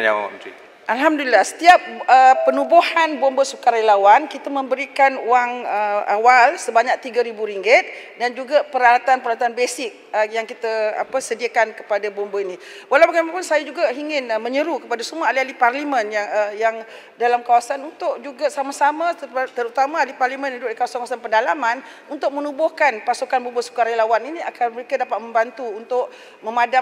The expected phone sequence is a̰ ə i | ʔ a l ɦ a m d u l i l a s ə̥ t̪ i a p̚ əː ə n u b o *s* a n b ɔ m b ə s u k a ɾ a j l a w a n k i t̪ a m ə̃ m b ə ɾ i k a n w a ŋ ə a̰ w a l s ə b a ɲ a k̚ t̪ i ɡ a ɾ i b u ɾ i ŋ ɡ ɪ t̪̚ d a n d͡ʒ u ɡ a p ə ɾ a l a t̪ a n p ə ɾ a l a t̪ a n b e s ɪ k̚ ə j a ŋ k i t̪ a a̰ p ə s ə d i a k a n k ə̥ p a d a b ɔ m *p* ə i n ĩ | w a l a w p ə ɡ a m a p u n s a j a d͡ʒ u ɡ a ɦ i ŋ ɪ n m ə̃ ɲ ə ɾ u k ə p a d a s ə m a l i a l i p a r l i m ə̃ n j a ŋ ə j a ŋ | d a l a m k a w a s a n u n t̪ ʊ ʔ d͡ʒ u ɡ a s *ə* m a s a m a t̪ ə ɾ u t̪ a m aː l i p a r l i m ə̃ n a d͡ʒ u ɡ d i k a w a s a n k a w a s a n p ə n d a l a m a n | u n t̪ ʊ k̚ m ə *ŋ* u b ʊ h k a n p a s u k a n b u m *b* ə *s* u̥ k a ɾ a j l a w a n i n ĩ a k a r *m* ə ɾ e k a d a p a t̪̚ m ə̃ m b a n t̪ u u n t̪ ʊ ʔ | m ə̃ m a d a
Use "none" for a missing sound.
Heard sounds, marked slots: h, b, a, n, b, s, m

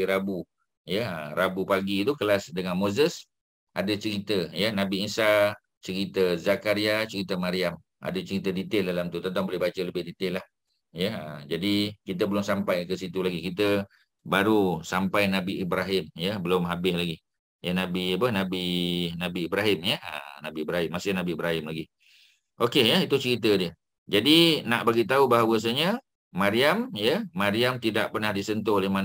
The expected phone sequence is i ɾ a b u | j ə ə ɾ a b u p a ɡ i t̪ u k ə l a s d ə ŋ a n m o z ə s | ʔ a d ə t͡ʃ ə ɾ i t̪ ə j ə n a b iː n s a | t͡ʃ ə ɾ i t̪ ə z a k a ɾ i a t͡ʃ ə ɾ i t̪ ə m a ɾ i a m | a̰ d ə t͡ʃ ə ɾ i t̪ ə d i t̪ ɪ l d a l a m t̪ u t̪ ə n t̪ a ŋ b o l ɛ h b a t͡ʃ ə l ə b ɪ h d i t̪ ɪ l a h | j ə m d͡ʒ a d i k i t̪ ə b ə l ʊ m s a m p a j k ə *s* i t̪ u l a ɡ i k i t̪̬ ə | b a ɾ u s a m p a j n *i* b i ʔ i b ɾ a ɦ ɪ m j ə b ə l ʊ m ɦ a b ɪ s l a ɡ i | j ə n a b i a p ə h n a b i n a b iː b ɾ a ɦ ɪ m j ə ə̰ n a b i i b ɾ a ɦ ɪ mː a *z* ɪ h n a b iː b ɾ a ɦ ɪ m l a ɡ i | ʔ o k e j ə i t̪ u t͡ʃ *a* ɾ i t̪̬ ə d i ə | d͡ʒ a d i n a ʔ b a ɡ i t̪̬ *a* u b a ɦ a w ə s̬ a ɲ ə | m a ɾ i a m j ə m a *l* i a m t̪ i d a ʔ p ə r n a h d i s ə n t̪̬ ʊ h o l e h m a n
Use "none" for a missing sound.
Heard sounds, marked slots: s, a, s, ə, a, ɾ

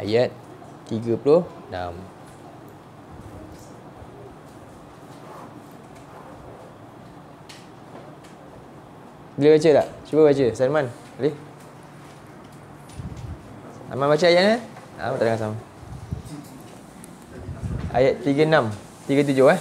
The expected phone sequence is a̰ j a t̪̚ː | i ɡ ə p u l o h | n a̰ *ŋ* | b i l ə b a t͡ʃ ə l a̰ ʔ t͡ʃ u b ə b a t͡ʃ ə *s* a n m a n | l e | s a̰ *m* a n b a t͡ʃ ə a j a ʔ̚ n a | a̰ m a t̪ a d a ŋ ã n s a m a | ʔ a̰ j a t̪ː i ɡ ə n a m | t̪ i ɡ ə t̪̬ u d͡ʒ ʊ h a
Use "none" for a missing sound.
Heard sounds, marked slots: m, s, m

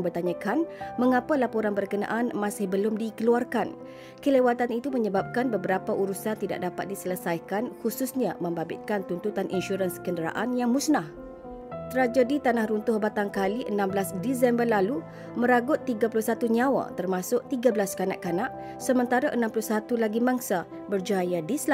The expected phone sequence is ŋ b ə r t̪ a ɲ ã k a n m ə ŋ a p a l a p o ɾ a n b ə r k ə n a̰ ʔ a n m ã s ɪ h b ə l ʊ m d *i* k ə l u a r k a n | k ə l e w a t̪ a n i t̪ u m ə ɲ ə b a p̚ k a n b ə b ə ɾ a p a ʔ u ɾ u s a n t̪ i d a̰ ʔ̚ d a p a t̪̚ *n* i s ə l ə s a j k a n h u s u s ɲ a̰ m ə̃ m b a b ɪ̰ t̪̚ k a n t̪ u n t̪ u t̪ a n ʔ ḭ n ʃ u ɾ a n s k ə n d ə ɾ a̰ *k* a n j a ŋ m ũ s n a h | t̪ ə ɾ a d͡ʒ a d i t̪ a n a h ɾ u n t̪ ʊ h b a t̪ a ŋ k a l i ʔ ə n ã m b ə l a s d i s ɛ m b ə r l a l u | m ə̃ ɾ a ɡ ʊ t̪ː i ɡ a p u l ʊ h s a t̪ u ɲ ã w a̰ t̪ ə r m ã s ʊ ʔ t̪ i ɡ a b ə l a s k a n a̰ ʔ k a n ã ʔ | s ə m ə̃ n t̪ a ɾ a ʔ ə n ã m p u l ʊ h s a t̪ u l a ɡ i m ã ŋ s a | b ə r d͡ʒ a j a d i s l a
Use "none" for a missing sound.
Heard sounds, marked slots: i, d, ʔ

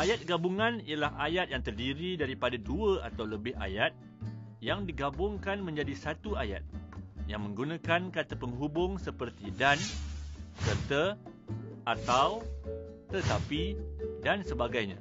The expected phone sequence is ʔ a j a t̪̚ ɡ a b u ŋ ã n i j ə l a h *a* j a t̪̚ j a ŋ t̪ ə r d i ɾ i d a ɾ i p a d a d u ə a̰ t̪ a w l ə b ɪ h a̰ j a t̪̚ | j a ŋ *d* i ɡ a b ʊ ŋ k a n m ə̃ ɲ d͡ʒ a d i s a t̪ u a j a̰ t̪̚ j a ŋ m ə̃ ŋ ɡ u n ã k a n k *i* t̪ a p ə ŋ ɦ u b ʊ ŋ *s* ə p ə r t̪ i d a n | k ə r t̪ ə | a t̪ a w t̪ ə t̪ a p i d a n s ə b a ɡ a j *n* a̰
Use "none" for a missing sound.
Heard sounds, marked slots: a, d, a, s, ɲ

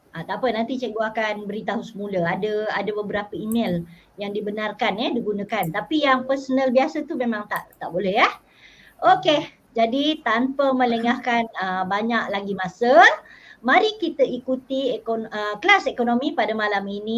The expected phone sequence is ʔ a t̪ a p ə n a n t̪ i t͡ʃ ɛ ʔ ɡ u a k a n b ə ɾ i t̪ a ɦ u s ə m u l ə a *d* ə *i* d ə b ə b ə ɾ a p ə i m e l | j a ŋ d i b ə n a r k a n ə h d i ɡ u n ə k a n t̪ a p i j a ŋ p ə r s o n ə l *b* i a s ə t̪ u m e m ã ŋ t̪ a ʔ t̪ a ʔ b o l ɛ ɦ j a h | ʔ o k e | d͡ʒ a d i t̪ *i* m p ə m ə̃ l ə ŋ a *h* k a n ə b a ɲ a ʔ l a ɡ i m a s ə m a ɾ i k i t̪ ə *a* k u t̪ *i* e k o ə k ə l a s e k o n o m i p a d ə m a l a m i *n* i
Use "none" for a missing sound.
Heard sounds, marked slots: d, a, b, a, h, i, i, n

